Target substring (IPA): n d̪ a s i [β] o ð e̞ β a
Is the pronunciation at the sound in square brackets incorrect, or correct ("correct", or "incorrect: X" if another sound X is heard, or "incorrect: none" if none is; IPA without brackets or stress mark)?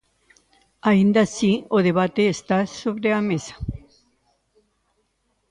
incorrect: none